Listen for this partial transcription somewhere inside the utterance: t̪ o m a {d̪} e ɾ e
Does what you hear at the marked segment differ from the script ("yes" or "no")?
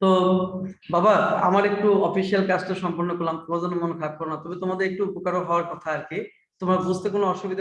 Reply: no